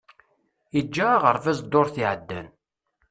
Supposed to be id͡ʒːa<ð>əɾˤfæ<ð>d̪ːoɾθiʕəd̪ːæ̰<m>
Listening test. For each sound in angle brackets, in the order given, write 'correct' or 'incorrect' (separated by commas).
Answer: incorrect, incorrect, incorrect